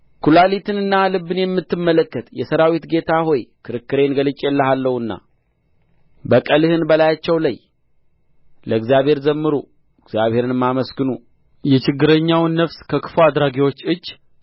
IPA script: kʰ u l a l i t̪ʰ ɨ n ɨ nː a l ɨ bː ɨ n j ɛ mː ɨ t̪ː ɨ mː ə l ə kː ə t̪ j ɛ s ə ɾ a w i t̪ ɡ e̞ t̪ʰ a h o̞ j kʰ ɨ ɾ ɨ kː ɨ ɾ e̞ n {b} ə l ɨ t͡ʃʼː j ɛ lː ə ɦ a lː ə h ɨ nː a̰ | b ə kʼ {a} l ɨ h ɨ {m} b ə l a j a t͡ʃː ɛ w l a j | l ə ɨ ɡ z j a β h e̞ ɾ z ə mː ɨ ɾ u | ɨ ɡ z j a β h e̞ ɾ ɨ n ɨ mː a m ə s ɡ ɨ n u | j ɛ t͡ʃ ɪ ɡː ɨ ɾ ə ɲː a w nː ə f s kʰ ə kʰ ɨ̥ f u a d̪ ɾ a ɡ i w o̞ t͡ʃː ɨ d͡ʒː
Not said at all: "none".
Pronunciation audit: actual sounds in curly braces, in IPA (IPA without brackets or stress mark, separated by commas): ɡ, ə, n